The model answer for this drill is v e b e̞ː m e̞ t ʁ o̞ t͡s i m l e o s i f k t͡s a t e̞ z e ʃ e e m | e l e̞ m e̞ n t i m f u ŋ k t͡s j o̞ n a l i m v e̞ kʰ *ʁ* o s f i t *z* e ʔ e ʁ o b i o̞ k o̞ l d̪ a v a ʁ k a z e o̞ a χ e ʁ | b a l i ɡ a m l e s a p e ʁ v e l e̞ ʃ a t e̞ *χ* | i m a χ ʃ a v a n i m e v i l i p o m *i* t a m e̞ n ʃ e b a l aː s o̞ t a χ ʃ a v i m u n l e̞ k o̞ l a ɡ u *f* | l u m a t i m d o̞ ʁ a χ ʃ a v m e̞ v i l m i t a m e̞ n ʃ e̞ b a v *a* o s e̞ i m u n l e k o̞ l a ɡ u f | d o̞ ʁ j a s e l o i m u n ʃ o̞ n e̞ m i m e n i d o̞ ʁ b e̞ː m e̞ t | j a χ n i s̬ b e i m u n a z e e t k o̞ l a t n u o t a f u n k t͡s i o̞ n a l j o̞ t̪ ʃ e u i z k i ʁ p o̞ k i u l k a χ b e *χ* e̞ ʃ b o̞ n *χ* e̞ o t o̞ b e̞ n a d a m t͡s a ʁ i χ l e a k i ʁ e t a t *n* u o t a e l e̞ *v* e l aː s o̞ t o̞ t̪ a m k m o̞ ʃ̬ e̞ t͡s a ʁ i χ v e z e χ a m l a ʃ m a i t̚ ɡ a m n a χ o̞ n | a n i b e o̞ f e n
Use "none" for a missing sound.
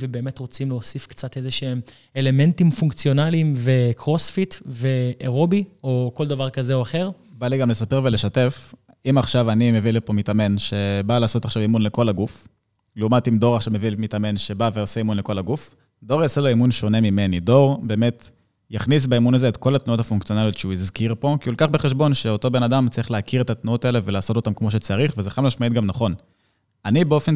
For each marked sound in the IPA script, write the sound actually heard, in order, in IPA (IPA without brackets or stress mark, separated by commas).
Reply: ʁ, v, f, i, f, e, χ, ʃ, n, v